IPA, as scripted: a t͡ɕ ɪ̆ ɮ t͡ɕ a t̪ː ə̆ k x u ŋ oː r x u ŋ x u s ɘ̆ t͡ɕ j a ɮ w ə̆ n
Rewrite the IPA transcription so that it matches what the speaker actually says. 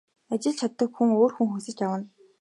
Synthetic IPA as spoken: a t͡ɕ ɪ̆ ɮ t͡ɕʰ a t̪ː ə̆ k x u ŋ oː r x u ŋ x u s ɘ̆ t͡ɕ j a w ə̆ n